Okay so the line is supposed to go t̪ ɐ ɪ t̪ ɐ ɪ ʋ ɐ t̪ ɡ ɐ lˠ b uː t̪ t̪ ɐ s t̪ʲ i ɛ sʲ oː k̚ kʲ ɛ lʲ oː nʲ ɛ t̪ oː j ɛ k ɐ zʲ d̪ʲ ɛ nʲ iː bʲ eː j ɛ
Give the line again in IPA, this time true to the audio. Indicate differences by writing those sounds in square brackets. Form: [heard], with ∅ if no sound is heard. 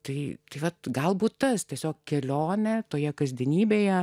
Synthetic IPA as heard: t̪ ɐ ɪ t̪ ɐ ɪ ʋ ɐ t̪ ɡ ɐ lˠ b uː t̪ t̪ ɐ s t̪ʲ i ɛ sʲ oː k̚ kʲ ɛ lʲ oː nʲ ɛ t̪ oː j ɛ k ɐ zʲ d̪ʲ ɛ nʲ iː bʲ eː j ɛ